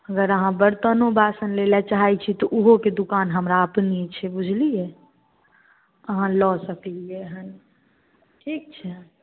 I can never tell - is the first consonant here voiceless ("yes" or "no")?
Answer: no